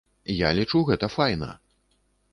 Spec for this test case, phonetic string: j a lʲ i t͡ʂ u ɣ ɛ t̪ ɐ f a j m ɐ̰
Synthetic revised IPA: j a lʲ i t͡ʂ u ɣ ɛ t̪ ɐ f a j n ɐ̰